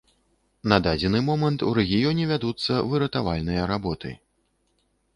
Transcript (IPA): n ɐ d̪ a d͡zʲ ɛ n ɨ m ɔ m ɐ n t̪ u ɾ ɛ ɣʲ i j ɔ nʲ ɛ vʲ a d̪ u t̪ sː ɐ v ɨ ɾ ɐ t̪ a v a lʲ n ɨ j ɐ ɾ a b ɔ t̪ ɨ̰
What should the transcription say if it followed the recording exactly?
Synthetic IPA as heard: n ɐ d̪ a d͡zʲ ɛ n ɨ m ɔ m ɐ n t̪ u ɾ ɛ ɣʲ i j ɔ nʲ ɛ vʲ a d̪ u t̪ sː ɐ v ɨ ɾ ɐ t̪ a v a lʲ n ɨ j ɐ ɾ a b ɔ t̪ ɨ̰